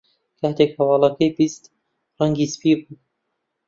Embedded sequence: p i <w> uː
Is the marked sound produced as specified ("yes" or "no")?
no